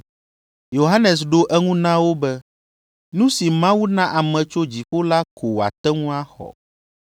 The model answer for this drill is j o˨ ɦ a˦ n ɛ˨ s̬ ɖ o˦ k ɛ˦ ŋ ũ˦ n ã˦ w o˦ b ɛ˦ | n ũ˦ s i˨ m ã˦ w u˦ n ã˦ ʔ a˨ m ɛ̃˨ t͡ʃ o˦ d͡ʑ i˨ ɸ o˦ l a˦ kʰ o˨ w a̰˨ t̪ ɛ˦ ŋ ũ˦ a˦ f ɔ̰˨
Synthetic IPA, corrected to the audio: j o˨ ɦ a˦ n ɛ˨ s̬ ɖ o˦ ʔ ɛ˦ ŋ ũ˦ n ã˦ w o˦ b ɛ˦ | n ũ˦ s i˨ m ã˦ w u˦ n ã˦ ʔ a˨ m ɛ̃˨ t͡ʃ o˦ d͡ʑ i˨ ɸ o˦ l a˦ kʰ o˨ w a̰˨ t̪ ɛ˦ ŋ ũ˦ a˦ x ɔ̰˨